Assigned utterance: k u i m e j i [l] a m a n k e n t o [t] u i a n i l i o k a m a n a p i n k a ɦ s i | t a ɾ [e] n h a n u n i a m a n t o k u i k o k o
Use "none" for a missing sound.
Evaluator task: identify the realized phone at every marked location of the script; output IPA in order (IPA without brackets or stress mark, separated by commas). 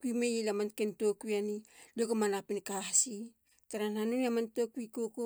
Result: l, k, a